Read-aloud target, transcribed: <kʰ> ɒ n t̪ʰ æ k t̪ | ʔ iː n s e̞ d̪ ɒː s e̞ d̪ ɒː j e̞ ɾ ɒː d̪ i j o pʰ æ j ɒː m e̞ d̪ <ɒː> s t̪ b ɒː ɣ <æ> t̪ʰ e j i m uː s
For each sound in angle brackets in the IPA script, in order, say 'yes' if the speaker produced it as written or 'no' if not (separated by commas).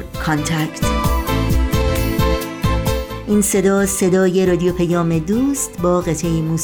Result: yes, no, no